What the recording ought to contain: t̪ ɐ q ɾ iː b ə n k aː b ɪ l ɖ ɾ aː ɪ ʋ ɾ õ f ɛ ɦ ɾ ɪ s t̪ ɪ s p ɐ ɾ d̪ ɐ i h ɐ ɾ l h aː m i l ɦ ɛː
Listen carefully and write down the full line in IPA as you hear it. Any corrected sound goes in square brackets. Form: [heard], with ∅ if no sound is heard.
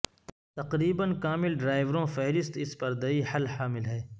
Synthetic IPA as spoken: t̪ ɐ q ɾ iː b ə n k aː [m] ɪ l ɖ ɾ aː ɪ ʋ ɾ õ f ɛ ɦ ɾ ɪ s t̪ ɪ s p ɐ ɾ d̪ ɐ i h ɐ [∅] l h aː m [ɪ] l ɦ ɛː